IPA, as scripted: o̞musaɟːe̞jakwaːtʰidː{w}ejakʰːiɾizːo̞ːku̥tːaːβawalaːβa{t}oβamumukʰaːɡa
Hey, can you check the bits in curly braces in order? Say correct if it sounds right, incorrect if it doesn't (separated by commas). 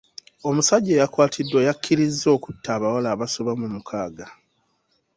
correct, incorrect